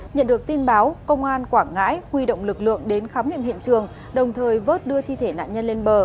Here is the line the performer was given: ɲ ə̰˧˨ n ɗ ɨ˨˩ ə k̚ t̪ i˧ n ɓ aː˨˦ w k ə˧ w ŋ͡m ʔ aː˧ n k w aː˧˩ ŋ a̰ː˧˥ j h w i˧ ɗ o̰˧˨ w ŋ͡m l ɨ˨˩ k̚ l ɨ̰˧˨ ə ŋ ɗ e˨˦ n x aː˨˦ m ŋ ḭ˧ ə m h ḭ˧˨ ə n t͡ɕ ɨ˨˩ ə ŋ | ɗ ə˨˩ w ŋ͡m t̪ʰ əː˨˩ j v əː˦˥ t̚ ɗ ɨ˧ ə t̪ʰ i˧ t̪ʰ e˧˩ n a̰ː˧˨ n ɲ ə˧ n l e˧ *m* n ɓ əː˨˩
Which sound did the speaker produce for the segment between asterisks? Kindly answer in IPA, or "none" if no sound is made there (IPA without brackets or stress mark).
none